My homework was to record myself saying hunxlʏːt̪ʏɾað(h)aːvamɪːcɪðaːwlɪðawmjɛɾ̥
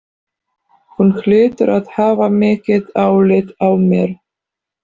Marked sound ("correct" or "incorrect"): correct